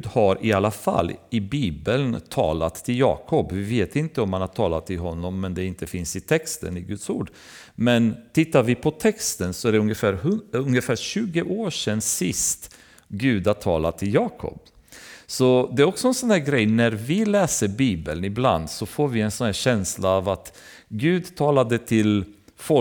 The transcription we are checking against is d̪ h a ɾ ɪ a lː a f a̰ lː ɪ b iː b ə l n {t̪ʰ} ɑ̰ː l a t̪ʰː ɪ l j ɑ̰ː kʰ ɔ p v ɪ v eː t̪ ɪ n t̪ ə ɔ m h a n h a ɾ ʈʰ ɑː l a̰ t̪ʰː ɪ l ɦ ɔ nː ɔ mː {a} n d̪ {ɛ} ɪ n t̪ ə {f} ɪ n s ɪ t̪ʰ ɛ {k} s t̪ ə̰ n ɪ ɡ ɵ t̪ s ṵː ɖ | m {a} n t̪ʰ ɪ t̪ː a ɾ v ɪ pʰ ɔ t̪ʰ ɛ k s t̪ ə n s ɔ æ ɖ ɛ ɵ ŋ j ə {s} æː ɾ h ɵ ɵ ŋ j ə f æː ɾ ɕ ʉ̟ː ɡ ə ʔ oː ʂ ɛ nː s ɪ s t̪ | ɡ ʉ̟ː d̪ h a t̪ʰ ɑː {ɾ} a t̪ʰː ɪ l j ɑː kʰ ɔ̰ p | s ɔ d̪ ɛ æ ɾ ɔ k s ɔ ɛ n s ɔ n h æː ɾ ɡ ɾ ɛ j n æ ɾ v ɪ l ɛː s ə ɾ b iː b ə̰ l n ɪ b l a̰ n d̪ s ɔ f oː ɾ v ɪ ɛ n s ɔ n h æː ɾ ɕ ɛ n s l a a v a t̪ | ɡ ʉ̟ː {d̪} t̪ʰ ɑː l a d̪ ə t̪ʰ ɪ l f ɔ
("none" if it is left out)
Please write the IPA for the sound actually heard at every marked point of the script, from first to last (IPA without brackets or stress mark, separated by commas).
t̪ʰ, ɛ, ɛ, f, k, ɛ, f, l, d̪